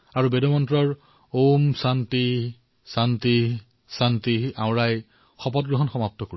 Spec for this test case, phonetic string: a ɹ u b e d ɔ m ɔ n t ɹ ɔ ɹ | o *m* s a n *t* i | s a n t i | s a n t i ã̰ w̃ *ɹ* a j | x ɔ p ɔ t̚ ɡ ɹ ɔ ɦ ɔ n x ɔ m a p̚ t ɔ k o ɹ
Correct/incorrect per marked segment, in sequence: correct, correct, correct

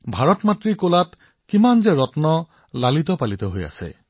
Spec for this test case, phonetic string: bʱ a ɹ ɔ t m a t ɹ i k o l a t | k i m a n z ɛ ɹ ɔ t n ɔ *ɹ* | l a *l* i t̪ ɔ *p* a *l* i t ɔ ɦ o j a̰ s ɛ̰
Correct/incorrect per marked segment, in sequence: incorrect: none, correct, correct, correct

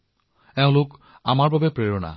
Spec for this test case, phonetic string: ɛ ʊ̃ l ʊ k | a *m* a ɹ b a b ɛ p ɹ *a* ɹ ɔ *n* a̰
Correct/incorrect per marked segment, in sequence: correct, incorrect: e, correct

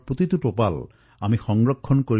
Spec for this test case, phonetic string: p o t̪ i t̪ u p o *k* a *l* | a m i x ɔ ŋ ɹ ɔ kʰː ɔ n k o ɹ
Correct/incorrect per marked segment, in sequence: incorrect: p, correct

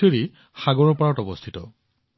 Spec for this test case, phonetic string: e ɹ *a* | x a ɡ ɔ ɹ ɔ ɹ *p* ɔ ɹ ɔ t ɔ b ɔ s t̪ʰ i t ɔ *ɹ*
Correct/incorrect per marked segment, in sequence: incorrect: i, correct, incorrect: none

